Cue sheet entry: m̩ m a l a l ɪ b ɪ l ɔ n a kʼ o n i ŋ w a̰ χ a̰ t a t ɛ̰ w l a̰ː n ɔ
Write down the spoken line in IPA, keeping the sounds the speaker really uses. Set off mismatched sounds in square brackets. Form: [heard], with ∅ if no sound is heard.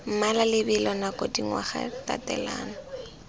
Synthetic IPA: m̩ m a l a l ɪ b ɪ l ɔ n a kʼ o [d] i ŋ w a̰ χ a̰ t a t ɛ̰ [∅] l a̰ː n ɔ